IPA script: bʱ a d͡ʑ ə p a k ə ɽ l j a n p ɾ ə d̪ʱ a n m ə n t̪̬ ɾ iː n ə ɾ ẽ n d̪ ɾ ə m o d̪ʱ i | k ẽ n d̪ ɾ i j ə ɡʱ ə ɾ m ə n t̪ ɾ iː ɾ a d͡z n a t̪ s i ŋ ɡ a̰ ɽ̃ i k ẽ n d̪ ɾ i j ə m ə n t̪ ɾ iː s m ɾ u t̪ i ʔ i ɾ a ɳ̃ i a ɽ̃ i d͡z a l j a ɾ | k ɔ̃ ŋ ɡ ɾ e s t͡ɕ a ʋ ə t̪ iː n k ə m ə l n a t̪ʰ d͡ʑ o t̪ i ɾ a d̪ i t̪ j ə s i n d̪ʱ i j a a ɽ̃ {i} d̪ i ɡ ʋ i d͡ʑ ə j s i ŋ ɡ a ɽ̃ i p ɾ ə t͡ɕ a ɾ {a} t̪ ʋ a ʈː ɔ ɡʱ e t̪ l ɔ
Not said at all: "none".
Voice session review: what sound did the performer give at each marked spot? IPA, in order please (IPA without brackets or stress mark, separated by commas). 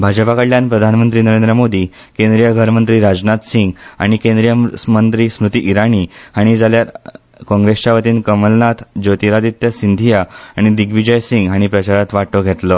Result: i, a